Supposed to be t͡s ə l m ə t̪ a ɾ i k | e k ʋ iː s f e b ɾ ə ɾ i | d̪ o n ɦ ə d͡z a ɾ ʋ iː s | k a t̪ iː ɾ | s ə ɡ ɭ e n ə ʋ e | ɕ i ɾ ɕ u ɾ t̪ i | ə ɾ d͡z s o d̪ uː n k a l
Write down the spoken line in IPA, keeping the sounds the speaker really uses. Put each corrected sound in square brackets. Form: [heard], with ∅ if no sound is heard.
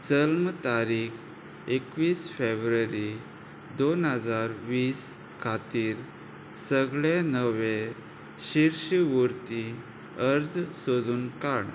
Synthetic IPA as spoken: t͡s ə l m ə t̪ a ɾ i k | e k ʋ iː s f e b ɾ ə ɾ i | d̪ o n ɦ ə d͡z a ɾ ʋ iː s | [kʰ] a t̪ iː ɾ | s ə ɡ ɭ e n ə ʋ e | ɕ i ɾ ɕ u ɾ t̪ i | ə ɾ d͡z s o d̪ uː n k a [ɽ]

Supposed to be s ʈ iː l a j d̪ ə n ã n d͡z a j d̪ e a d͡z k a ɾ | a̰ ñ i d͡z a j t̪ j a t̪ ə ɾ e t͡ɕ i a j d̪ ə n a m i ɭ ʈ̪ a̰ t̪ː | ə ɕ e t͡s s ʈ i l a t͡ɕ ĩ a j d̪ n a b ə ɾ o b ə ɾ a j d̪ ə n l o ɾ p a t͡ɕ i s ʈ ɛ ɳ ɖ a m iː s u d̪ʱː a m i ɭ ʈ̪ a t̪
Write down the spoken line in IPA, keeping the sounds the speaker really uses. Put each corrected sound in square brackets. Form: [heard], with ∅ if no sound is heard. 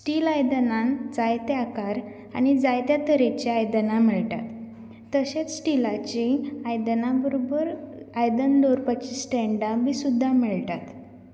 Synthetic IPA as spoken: s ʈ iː l a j d̪ ə n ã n d͡z a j [t̪] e a [∅] k a ɾ | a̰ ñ i d͡z a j t̪ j a t̪ ə ɾ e t͡ɕ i a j d̪ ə n a m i ɭ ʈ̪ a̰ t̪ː | ə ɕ e t͡s s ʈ i l a t͡ɕ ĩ a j d̪ n a b ə ɾ o b ə ɾ a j d̪ ə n l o ɾ p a t͡ɕ i s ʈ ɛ ɳ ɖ a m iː s u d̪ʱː a m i ɭ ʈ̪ a t̪

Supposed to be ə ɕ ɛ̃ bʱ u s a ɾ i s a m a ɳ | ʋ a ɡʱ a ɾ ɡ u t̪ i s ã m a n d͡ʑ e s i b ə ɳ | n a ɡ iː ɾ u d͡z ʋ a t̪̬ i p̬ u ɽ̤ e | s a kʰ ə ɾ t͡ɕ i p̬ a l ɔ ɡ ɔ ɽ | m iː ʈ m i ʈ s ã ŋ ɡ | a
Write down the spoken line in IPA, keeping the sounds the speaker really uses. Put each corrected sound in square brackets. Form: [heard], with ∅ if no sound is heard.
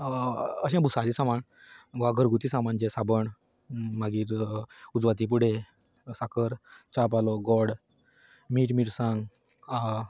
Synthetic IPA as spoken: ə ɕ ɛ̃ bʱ u s a ɾ i s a m a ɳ | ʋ a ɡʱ [ə] ɾ ɡ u t̪ i s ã m a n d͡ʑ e s [a] b ə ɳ | [m] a ɡ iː ɾ u d͡z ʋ a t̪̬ i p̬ u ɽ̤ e | s a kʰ ə ɾ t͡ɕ [a] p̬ a l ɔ ɡ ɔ ɽ | m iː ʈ m i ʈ s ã ŋ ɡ | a

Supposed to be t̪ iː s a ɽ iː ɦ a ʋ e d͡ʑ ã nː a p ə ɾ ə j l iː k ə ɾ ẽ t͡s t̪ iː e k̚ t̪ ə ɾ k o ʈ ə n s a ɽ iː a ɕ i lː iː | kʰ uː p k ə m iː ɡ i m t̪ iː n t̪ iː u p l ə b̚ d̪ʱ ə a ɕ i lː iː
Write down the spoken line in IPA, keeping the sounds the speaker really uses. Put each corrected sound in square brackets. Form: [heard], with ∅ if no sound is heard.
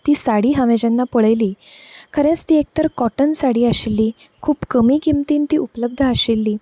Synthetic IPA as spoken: t̪ iː s a ɽ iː ɦ a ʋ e d͡ʑ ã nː a p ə [ɭ] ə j l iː k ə ɾ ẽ t͡s t̪ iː e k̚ t̪ ə ɾ k [ɔ] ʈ ə n s a ɽ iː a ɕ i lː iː | kʰ uː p k ə m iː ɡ i m t̪ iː n t̪ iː u p l ə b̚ d̪ʱ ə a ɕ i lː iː

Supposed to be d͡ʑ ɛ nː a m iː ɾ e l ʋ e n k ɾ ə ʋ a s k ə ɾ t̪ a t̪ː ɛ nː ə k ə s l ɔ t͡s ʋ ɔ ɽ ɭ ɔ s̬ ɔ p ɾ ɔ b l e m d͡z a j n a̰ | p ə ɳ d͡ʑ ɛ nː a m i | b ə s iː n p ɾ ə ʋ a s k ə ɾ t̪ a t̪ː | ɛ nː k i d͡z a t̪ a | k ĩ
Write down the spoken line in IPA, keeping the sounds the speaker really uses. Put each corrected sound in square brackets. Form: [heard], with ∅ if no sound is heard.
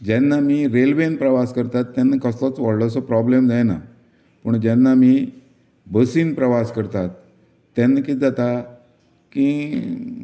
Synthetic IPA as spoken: d͡ʑ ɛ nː a m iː ɾ e l ʋ e n [p] ɾ ə ʋ a s k ə ɾ t̪ a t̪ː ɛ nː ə k ə s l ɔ t͡s ʋ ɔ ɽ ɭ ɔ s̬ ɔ p ɾ ɔ b l e m d͡z a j n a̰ | p ə ɳ d͡ʑ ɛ nː a m i | b ə s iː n p ɾ ə ʋ a s k ə ɾ t̪ a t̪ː | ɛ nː k i d͡z a t̪ a | k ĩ

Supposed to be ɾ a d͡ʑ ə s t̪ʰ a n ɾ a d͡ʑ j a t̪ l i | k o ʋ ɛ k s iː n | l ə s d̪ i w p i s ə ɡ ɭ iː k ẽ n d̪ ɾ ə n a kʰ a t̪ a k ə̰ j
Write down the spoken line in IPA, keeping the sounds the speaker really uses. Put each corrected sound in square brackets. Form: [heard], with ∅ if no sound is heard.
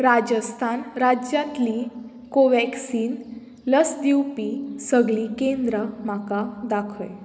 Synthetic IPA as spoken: ɾ a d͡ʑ ə s t̪ʰ a n ɾ a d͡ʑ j a t̪ l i | k o ʋ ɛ k s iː n | l ə s d̪ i w p i s ə ɡ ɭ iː k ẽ n d̪ ɾ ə [m] a [k] a [d̪] a [kʰ] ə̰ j

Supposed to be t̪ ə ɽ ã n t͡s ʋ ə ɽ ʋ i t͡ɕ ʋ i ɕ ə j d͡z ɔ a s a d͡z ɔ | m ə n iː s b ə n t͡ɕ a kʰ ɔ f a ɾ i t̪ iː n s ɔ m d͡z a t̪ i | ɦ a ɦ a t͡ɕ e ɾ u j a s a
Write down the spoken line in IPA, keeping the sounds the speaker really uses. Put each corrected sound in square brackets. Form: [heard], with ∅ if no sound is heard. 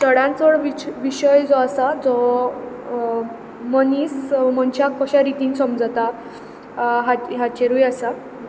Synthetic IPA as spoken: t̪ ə ɽ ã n t͡s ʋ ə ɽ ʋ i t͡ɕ ʋ i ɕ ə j d͡z ɔ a s a d͡z ɔ | m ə n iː s [m] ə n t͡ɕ a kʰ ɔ [ɕ] a ɾ i t̪ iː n s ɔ m d͡z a t̪ [a] | ɦ a ɦ a t͡ɕ e ɾ u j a s a

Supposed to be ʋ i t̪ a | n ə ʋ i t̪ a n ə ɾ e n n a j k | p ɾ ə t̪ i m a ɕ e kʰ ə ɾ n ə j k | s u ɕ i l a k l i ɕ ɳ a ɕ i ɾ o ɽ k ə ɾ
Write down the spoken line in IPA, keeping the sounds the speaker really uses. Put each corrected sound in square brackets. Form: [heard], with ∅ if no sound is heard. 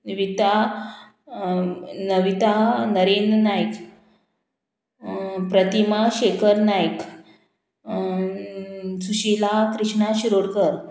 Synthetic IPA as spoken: ʋ i t̪ a | n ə ʋ i t̪ a n ə ɾ e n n a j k | p ɾ ə t̪ i m a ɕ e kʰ ə ɾ n [a] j k | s u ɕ i l a k [ɾ] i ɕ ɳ a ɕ i ɾ o ɽ k ə ɾ

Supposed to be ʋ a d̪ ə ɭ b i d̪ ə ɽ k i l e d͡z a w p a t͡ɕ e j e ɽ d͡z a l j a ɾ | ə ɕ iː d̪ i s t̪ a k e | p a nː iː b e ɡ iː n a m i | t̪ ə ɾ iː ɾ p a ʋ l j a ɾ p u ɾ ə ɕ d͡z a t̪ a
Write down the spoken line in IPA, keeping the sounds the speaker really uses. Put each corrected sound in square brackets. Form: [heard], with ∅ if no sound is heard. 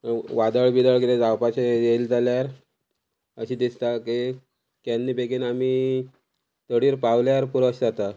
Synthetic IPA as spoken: ʋ a d̪ ə ɭ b i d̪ ə [ɭ] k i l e d͡z a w p a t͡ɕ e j e [l] d͡z a l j a ɾ | ə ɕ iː d̪ i s t̪ a k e | [k] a nː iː b e ɡ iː n a m i | t̪ ə [ɽ] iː ɾ p a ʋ l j a ɾ p u ɾ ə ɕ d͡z a t̪ a

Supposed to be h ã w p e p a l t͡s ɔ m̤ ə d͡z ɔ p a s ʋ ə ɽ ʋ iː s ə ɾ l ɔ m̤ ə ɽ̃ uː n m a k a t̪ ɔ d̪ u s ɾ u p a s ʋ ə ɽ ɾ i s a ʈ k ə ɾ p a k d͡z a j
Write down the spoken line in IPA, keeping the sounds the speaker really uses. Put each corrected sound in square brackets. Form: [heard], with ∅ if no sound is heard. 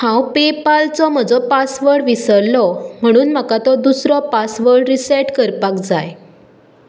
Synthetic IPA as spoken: h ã w p e p a l t͡s ɔ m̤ ə d͡z ɔ p a s ʋ ə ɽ ʋ [i] s ə ɾ l ɔ m̤ ə ɽ̃ uː n m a k a t̪ ɔ d̪ u s ɾ [ɔ] p a s ʋ ə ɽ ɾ i s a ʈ k ə ɾ p a k d͡z a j

